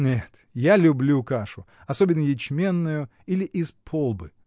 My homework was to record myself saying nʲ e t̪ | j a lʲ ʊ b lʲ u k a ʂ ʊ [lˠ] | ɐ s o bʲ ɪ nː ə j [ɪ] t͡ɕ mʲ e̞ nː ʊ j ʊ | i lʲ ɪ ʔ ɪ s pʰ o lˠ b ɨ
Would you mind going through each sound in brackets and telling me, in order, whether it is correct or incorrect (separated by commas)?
incorrect, correct